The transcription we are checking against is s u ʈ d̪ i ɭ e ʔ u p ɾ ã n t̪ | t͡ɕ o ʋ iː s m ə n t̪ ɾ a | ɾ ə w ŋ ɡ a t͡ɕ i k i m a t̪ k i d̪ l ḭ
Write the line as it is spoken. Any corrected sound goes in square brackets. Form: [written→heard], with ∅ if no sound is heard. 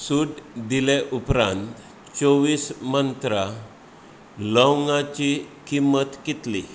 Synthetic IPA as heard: s u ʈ d̪ i [ɭ→l] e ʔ u p ɾ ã n t̪ | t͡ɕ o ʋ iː s m ə n t̪ ɾ a | [ɾ→l] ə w ŋ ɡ a t͡ɕ i k i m [a→ə] t̪ k i [d̪→t̪] l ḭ